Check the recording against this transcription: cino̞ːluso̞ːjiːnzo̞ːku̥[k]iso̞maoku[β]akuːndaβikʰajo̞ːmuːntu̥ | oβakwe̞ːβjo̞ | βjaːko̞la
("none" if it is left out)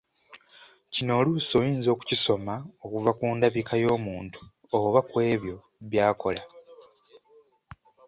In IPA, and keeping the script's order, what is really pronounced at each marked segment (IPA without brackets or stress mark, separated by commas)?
c, v